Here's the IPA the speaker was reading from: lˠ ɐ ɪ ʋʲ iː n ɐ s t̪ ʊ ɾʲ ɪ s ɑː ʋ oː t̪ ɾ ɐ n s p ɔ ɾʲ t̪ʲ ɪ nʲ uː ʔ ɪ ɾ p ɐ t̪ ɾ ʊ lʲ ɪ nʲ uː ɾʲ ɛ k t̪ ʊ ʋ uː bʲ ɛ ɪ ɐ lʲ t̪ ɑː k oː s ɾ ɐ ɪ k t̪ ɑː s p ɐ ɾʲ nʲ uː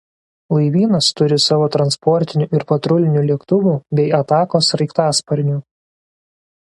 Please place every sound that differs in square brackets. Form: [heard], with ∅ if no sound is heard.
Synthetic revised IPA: lˠ ɐ ɪ ʋʲ iː n ɐ s t̪ ʊ ɾʲ ɪ s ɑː ʋ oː t̪ ɾ ɐ n s p ɔ ɾʲ t̪ʲ ɪ nʲ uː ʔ ɪ ɾ p ɐ t̪ ɾ ʊ lʲ ɪ nʲ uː [lʲ] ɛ k t̪ ʊ ʋ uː bʲ ɛ ɪ ɐ [∅] t̪ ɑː k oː s ɾ ɐ ɪ k t̪ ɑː s p ɐ ɾʲ nʲ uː